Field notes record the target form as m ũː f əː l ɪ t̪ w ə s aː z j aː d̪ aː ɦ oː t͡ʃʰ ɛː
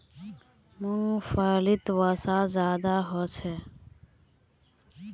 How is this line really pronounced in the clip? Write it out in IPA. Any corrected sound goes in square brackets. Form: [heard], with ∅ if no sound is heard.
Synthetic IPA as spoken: m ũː f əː l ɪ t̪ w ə s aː z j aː d̪ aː ɦ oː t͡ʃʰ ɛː